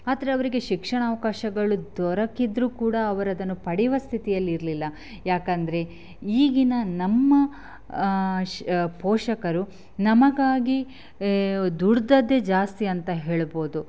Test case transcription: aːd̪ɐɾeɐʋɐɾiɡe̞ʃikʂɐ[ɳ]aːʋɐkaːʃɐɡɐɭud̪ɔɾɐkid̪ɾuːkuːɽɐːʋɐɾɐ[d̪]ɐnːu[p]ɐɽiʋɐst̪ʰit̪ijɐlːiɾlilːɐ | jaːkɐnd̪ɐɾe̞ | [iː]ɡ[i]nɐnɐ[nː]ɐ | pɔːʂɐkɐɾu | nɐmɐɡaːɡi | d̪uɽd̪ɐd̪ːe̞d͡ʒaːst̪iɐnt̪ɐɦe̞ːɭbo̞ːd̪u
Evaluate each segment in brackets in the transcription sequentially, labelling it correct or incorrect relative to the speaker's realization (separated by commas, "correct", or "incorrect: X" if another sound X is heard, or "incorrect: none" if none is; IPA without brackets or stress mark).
correct, correct, correct, correct, correct, incorrect: mː